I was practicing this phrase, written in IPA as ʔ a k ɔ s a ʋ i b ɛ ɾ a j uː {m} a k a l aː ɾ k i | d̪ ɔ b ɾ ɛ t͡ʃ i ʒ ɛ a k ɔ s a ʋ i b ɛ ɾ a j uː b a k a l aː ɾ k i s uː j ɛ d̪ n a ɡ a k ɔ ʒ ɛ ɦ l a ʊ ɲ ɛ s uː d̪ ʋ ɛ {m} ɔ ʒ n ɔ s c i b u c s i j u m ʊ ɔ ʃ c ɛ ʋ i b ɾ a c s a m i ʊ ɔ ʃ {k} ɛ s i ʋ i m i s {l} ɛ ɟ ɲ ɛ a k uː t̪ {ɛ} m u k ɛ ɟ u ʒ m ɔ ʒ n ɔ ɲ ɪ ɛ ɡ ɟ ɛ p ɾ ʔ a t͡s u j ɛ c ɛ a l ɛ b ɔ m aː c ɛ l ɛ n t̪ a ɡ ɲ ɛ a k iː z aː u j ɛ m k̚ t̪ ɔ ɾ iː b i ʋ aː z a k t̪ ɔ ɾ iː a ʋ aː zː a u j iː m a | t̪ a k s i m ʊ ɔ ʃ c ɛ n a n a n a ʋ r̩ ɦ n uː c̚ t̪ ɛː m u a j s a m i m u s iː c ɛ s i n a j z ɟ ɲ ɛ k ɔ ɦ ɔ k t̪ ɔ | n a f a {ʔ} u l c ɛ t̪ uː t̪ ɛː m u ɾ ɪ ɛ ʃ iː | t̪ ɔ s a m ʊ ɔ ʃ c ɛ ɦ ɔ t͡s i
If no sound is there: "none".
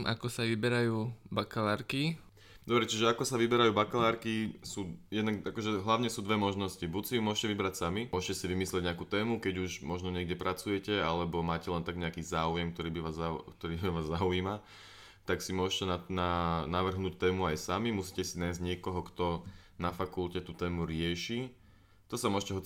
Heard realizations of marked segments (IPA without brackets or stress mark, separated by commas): b, m, c, l, ɛː, k